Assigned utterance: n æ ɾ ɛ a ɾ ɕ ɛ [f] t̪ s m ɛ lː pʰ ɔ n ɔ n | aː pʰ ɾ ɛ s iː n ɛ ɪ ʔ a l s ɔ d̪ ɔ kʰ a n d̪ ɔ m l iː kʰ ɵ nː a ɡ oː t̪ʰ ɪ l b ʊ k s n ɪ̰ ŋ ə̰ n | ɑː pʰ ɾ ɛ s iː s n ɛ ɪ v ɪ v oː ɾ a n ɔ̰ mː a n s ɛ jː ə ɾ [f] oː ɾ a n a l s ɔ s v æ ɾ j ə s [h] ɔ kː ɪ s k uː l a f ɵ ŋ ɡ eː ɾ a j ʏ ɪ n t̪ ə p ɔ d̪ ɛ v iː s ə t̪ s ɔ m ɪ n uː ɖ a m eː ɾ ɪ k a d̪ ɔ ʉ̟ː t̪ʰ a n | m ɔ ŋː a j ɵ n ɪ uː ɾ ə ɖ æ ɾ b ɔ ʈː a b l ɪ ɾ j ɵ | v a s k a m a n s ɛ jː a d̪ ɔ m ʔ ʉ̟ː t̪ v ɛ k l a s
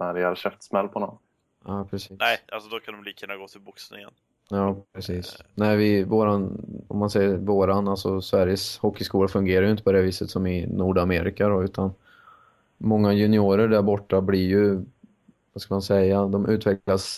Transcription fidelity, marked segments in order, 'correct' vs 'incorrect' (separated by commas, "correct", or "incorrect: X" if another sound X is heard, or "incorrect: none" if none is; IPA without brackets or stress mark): correct, incorrect: v, correct